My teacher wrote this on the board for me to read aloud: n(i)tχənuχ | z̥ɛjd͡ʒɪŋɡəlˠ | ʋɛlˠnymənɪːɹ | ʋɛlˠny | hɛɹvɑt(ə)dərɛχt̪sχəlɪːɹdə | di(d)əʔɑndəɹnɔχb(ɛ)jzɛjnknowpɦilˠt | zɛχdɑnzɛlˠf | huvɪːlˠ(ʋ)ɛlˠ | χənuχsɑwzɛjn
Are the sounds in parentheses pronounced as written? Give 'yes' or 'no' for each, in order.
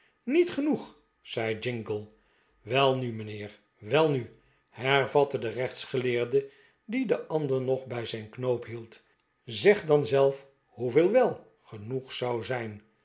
yes, yes, yes, yes, yes

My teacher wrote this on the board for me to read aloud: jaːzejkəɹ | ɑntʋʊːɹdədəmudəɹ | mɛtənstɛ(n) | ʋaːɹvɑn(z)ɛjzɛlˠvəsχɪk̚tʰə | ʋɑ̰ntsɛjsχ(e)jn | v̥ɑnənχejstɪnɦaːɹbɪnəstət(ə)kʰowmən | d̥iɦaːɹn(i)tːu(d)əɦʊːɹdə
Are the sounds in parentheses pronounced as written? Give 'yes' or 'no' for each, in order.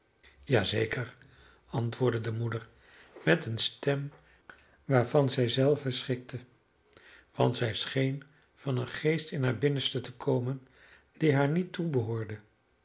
no, yes, yes, yes, yes, no

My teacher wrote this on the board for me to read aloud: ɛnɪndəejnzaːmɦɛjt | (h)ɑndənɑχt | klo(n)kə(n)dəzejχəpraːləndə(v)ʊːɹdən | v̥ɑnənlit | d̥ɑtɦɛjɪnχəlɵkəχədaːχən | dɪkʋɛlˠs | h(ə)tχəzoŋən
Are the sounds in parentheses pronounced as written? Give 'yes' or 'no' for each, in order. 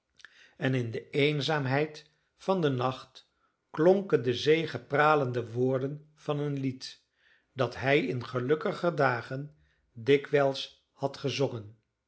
no, no, yes, no, no

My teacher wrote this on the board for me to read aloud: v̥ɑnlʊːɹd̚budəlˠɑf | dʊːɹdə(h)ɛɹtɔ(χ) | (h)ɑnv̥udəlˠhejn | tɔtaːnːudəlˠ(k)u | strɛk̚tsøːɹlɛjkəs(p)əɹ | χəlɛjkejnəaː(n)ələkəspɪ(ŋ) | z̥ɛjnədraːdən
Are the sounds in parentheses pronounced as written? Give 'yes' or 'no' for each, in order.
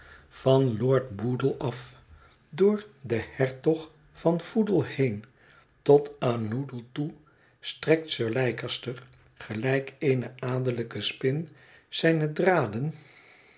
yes, yes, no, no, no, no, no

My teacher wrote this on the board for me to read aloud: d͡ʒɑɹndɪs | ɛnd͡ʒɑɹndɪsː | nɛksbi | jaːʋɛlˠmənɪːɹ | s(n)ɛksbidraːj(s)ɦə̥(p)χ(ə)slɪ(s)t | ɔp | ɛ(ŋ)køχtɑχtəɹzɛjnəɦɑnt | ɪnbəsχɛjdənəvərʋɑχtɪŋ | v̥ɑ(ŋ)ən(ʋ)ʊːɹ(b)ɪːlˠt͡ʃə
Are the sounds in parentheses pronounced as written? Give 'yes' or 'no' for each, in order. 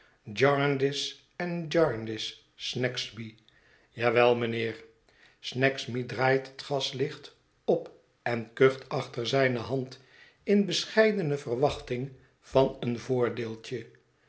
yes, no, no, no, no, no, no, no, no

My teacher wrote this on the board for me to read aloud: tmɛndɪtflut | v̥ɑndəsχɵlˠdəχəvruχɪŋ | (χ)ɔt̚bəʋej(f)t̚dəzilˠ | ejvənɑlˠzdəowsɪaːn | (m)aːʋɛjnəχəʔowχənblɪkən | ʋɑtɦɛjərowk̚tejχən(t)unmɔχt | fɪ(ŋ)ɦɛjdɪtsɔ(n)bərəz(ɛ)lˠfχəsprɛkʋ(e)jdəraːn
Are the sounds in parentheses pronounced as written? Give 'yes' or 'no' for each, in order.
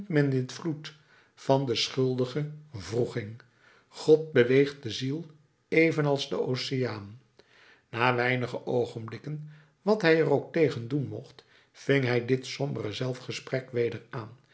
yes, no, no, no, yes, no, yes, yes

